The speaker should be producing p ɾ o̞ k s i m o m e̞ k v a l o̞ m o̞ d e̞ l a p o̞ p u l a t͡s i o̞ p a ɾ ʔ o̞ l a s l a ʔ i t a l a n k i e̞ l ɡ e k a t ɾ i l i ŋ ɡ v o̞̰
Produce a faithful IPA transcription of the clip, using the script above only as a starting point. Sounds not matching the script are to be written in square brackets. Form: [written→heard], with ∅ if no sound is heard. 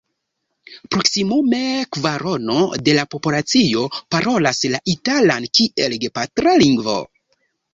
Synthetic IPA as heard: p ɾ o̞ k s i m [o→u] m e̞ k v a [l→ɾ] o̞ [m→n] o̞ d e̞ l a p o̞ p u l a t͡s i o̞ p a ɾ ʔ o̞ l a s l a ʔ i t a l a n k i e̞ l ɡ e [k→p] a t ɾ [i→a] l i ŋ ɡ v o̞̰